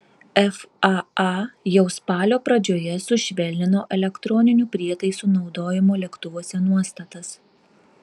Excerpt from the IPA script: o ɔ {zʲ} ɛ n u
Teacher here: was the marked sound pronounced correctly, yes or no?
no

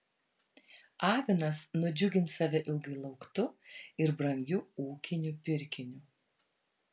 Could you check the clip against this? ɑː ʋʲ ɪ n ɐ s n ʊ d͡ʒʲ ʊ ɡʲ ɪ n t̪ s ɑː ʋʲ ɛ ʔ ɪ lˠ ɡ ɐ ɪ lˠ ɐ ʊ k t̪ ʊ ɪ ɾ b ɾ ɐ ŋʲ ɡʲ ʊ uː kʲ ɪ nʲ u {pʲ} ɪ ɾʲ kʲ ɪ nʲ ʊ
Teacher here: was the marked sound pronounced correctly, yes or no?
yes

